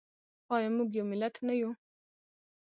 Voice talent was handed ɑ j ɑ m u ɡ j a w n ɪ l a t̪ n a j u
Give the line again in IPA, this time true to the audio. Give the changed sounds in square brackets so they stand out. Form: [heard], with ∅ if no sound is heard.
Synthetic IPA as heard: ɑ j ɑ m u ɡ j a w [m] ɪ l a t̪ n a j u